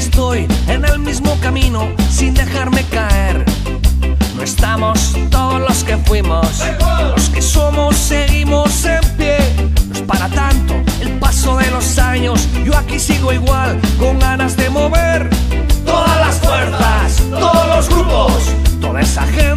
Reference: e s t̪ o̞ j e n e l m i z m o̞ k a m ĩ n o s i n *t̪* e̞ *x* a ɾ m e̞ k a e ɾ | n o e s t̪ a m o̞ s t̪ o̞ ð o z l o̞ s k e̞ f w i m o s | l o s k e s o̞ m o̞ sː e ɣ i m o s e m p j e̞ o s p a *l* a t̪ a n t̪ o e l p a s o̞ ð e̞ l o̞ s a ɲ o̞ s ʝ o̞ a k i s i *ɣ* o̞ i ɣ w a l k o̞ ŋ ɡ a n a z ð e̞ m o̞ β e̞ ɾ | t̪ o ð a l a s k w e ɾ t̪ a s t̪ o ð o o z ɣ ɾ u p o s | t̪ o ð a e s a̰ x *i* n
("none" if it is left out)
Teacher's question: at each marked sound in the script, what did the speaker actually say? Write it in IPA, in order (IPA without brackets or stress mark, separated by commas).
d̪, x, ɾ, ɣ, e